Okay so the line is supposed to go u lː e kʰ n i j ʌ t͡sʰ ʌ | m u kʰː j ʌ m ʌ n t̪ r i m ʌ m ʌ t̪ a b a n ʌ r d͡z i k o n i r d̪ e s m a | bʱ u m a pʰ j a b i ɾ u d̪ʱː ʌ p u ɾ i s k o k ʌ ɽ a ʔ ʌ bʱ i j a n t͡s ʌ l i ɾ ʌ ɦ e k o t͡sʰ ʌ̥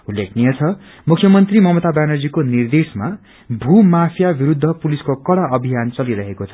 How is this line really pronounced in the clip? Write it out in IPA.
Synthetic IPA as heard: u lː e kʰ n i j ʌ t͡sʰ ʌ | m u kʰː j ʌ m ʌ n t̪ r i m ʌ m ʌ t̪ a b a n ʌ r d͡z i k o n i r d̪ e s m a | bʱ u m a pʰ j a b i ɾ u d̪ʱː ʌ p u l i s k o k ʌ ɽ a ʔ ʌ bʱ i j a n t͡s ʌ l i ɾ ʌ ɦ e k o t͡sʰ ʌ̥